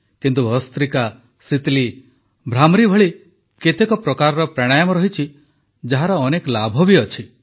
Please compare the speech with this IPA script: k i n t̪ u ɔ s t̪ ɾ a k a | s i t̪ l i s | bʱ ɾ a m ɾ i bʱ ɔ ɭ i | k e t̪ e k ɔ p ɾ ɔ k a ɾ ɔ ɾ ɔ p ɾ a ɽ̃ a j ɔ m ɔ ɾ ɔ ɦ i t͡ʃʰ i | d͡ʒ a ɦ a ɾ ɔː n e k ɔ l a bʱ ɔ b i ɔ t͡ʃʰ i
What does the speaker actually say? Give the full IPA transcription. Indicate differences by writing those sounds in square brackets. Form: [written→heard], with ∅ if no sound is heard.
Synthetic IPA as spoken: k i n t̪ u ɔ s t̪ ɾ [a→i] k a | s i t̪ l i [s→∅] | bʱ ɾ a m ɾ i bʱ ɔ ɭ i | k e t̪ e k ɔ p ɾ ɔ k a ɾ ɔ ɾ ɔ p ɾ a ɽ̃ a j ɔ m ɔ ɾ ɔ ɦ i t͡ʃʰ i | d͡ʒ a ɦ a ɾ ɔː n e k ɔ l a bʱ ɔ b i ɔ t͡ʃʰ i